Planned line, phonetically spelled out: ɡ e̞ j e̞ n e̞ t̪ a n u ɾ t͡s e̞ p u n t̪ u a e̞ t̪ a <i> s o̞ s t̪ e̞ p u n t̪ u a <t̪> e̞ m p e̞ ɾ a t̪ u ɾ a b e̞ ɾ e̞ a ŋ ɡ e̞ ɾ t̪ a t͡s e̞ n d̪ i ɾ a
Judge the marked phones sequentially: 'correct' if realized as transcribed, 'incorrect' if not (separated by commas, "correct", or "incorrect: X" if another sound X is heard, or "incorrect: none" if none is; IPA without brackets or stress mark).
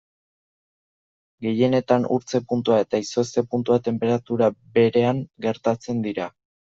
correct, correct